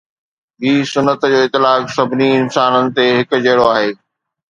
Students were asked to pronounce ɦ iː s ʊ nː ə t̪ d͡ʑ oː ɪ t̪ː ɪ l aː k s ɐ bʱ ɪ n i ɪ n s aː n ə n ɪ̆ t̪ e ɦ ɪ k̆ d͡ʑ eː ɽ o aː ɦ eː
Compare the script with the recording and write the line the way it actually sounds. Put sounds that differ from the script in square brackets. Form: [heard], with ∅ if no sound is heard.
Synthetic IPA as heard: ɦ iː s ʊ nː ə t̪ d͡ʑ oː ɪ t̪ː ɪ l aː k s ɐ bʱ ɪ n i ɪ n s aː n ə n ɪ̆ t̪ e ɦ ɪ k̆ d͡ʑ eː ɽ o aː ɦ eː